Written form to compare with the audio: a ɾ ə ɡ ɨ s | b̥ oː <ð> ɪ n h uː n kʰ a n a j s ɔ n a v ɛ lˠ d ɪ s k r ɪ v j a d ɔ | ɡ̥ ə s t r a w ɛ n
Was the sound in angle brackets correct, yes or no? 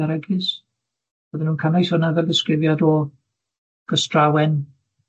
yes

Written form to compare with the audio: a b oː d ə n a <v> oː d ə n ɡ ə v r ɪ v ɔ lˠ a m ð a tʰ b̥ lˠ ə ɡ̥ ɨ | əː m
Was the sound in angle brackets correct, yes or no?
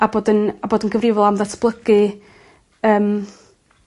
no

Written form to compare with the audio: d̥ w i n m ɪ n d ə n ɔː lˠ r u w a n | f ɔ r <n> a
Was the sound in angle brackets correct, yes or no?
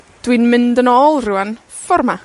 no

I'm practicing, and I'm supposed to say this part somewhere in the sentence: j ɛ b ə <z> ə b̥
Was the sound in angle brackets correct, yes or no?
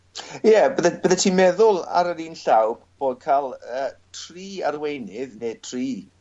no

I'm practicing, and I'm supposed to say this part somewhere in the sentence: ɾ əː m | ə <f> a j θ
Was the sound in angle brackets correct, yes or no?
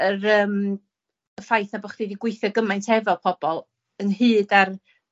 yes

